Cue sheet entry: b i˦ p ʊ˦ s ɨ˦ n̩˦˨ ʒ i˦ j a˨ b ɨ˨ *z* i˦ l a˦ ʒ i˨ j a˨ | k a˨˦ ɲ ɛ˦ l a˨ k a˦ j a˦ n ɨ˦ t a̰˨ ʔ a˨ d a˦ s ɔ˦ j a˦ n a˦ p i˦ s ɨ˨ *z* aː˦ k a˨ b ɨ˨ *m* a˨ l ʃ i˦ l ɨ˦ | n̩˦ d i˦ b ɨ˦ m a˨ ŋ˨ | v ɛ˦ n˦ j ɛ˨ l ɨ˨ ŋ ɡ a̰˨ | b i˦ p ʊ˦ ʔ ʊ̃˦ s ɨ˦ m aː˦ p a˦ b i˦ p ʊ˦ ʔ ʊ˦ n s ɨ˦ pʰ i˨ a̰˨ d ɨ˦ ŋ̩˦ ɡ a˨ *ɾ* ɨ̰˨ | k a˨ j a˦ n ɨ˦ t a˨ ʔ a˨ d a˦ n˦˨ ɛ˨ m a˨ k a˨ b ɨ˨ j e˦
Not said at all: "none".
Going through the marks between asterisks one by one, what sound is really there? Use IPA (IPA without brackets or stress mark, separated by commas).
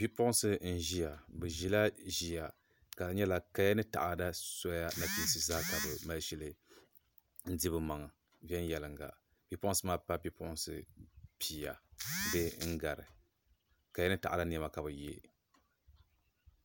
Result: ʒ, z, m, ɾ